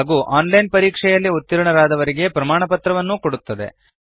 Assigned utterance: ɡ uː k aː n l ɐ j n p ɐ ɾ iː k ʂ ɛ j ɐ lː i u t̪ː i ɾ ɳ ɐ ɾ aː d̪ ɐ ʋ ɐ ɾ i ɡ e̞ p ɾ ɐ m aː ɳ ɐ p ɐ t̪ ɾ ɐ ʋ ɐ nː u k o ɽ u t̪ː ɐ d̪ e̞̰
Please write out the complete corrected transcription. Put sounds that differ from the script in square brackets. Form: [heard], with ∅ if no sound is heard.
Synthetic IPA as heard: ɡ uː [ʔ] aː n l ɐ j n p ɐ ɾ iː k ʂ ɛ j ɐ lː i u t̪ː i ɾ ɳ ɐ ɾ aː d̪ ɐ ʋ ɐ ɾ i ɡ e̞ p ɾ ɐ m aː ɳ ɐ p ɐ t̪ ɾ ɐ ʋ ɐ nː u k o ɽ u t̪ː ɐ d̪ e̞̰